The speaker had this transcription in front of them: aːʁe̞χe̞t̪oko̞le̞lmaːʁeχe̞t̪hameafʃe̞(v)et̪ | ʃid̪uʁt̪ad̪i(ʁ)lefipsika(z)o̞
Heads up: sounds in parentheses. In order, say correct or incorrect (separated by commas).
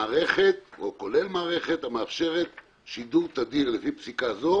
incorrect, correct, correct